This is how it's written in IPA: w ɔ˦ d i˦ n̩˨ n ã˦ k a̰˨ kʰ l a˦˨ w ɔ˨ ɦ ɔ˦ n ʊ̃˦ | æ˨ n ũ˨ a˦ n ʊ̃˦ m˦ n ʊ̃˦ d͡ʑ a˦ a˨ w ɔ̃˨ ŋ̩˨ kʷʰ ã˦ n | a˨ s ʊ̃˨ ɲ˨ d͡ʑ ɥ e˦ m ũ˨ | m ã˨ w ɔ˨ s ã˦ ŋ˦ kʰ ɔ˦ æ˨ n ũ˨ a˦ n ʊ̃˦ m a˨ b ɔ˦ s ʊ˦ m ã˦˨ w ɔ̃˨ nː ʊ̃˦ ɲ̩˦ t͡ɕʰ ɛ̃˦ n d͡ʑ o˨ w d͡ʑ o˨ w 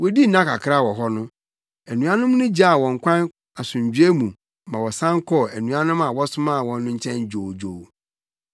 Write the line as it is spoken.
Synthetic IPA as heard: w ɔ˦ d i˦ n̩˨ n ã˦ k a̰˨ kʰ ɾ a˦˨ w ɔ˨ ɦ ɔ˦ n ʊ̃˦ | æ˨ n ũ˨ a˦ n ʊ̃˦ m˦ n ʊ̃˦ d͡ʑ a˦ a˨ w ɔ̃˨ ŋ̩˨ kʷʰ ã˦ n | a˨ s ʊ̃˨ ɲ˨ d͡ʑ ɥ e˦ m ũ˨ | m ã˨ w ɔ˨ s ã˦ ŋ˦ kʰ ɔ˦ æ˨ n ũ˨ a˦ n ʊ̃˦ m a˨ w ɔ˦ s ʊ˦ m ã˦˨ w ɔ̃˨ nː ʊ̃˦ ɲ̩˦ t͡ɕʰ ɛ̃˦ n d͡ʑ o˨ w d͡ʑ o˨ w